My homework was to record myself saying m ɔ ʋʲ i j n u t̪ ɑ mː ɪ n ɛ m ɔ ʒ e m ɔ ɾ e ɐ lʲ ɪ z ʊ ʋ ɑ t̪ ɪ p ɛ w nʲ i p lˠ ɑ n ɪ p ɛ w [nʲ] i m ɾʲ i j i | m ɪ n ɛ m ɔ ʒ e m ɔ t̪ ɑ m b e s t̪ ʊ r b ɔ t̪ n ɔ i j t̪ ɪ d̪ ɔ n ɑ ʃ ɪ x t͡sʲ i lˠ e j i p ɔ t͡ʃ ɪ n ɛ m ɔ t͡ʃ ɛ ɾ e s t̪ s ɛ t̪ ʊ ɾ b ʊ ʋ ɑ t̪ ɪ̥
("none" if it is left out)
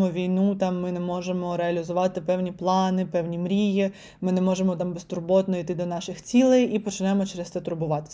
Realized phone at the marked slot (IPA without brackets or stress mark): nʲ